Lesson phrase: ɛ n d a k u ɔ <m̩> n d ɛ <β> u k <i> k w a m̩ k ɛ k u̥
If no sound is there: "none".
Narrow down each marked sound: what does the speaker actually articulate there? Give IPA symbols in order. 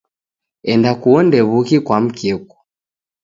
none, β, i

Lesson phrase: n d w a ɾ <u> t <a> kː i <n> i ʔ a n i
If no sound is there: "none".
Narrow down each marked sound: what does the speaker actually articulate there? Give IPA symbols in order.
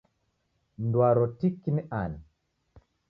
ɔ, i, n

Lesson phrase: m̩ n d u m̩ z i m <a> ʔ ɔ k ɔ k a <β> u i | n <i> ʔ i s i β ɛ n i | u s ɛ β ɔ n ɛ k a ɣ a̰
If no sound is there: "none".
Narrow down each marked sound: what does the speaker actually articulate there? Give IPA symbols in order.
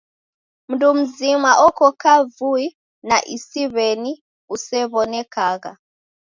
a, v, a

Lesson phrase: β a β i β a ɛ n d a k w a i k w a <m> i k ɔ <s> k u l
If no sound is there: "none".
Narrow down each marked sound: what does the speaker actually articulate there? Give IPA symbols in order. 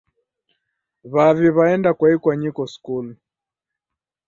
ɲ, s

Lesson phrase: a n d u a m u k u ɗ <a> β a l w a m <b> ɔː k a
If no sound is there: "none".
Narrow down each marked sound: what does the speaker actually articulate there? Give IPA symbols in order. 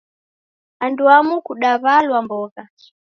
a, b

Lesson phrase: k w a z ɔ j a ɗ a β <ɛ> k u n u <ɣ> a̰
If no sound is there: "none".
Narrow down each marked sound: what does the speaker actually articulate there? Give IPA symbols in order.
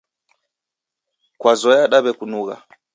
ɛ, ɣ

